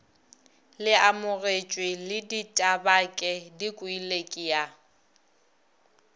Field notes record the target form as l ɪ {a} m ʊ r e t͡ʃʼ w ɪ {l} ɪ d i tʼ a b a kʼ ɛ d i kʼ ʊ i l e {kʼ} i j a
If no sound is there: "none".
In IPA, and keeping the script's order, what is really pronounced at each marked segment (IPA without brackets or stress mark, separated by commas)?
a, l, kʼ